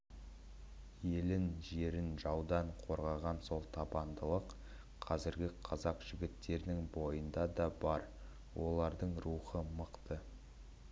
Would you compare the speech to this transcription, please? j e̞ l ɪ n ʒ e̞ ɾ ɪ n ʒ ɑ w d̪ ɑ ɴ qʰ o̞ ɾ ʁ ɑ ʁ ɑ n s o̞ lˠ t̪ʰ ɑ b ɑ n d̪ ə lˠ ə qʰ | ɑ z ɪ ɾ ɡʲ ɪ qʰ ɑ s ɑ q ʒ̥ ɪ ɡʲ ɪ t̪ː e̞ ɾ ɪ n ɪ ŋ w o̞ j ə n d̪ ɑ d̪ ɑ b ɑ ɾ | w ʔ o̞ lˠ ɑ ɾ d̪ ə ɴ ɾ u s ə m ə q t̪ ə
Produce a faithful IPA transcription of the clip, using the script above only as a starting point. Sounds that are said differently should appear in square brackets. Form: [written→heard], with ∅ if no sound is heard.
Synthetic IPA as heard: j e̞ l ɪ n ʒ e̞ ɾ ɪ n ʒ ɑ w d̪ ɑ ɴ qʰ o̞ ɾ ʁ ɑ ʁ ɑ n s o̞ lˠ t̪ʰ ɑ b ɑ n d̪ ə lˠ ə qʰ | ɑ z ɪ ɾ ɡʲ ɪ qʰ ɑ [s→z] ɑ q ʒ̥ ɪ ɡʲ ɪ t̪ː e̞ ɾ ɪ n ɪ ŋ [w→b] o̞ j ə n d̪ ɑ d̪ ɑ b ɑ ɾ | w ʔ o̞ lˠ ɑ ɾ d̪ ə ɴ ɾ u [s→χ] ə m ə q t̪ ə

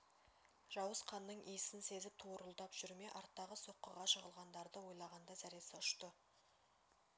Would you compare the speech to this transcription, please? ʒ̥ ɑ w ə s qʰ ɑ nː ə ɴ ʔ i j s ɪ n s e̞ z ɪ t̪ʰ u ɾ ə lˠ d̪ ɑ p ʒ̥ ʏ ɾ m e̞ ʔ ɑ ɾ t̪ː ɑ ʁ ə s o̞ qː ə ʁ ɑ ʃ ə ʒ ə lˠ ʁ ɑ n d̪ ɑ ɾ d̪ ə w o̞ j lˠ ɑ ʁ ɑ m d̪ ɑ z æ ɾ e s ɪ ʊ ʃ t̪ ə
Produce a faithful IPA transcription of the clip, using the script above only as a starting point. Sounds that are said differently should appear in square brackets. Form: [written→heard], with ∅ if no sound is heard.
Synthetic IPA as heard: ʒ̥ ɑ w ə s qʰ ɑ nː ə ɴ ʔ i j s ɪ n s e̞ z ɪ t̪ʰ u ɾ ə lˠ d̪ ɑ p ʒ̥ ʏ ɾ m e̞ ʔ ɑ ɾ t̪ː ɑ ʁ ə s o̞ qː ə ʁ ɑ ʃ ə [ʒ→ʁ] ə lˠ ʁ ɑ n d̪ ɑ ɾ d̪ ə w o̞ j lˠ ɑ ʁ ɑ [m→n] d̪ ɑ z æ ɾ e s ɪ ʊ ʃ t̪ ə

